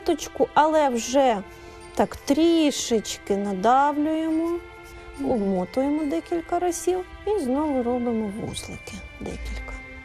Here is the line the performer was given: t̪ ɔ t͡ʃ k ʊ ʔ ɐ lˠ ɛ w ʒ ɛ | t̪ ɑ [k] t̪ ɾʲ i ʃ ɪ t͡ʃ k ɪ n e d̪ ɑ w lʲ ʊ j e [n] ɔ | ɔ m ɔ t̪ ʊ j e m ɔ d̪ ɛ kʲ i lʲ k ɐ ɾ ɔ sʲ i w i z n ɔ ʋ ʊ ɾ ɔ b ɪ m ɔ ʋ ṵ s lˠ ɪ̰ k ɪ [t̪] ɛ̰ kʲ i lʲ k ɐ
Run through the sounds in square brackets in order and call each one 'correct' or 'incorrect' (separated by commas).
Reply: correct, incorrect, incorrect